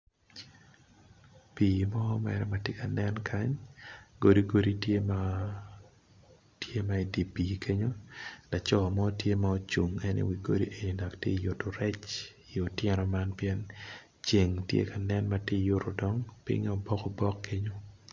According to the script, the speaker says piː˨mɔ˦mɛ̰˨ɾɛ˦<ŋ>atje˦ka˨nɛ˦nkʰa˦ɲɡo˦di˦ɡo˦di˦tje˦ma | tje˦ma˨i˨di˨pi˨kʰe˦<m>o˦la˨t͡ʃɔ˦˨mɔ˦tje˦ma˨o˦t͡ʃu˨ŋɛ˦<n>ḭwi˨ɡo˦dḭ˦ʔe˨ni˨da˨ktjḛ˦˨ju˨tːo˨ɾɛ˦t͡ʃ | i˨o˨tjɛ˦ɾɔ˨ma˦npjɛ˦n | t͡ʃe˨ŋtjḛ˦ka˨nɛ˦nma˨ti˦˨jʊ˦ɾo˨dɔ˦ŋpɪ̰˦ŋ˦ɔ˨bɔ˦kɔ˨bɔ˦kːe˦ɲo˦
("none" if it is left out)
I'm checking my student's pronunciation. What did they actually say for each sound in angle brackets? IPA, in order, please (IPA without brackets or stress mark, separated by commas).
m, ɲ, n